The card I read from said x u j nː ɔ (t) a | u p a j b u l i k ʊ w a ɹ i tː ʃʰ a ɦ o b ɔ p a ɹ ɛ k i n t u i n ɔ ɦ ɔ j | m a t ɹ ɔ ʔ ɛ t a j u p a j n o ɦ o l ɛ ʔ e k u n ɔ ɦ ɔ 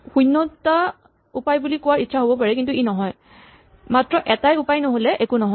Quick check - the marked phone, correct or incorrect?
correct